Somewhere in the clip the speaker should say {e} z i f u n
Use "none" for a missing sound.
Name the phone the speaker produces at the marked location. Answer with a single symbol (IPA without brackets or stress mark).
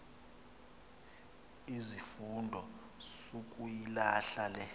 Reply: i